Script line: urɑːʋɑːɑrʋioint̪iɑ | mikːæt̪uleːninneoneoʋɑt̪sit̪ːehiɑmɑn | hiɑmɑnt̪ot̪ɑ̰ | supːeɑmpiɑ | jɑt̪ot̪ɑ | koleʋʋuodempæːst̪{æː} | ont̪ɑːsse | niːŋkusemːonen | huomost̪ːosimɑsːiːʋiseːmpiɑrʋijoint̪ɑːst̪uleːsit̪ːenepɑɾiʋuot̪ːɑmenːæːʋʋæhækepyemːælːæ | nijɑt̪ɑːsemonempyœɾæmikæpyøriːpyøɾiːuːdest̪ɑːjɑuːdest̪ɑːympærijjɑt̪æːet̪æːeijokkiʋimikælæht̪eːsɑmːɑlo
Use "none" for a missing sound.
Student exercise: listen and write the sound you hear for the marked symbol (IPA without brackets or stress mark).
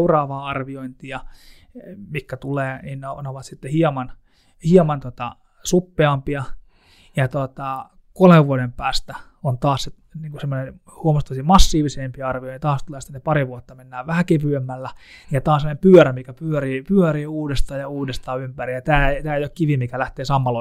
æ